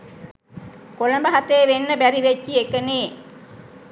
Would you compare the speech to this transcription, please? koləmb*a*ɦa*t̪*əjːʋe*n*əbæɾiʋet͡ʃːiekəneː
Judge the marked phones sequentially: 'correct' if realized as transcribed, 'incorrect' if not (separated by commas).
incorrect, correct, incorrect